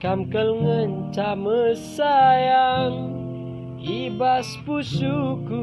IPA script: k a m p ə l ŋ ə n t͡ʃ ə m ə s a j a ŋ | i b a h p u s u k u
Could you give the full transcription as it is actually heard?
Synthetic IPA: k a m k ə l ŋ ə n t͡ʃ a m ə s a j a ŋ | i b a s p u s u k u